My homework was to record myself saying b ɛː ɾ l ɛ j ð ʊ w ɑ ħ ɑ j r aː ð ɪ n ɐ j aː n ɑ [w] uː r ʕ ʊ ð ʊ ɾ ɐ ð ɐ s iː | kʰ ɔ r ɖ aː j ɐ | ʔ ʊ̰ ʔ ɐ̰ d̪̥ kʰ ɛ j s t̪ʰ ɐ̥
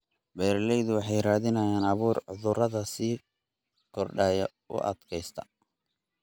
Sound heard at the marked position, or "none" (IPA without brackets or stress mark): β